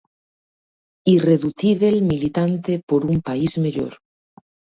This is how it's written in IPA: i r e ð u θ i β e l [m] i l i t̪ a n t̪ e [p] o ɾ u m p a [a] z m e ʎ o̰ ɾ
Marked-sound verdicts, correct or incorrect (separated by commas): correct, correct, incorrect